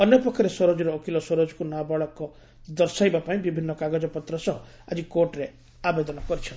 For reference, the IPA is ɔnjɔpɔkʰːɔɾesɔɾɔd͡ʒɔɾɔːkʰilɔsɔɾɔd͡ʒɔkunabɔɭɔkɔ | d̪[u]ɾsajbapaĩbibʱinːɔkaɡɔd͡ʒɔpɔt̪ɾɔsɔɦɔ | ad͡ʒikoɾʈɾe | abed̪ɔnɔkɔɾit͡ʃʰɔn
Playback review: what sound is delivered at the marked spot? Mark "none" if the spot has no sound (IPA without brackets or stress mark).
ɔ